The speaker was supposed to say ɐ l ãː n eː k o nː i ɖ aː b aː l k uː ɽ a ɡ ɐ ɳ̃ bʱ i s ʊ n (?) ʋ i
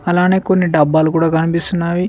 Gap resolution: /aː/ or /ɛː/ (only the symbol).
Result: aː